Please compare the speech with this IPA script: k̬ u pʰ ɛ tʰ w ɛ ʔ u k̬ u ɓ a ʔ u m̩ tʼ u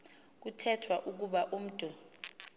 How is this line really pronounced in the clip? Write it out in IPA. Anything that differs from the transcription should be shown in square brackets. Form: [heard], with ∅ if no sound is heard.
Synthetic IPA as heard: k̬ u [tʰ] ɛ tʰ w [a] ʔ u k̬ u ɓ a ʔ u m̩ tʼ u